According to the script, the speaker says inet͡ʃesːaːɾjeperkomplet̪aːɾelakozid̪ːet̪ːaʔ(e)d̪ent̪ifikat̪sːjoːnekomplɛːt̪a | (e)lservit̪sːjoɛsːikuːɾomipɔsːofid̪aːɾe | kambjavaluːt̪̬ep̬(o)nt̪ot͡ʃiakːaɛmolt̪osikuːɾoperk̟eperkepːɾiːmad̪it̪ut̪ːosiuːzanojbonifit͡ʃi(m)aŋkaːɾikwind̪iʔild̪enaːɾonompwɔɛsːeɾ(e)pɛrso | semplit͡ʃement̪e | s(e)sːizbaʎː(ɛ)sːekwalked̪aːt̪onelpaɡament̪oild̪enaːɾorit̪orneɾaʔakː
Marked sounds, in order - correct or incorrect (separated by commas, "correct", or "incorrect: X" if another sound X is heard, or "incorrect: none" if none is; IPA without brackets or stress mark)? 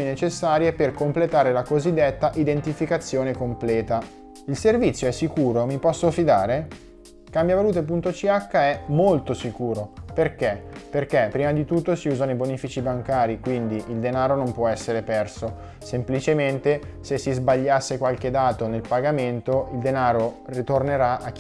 incorrect: i, incorrect: i, incorrect: u, incorrect: b, correct, correct, incorrect: a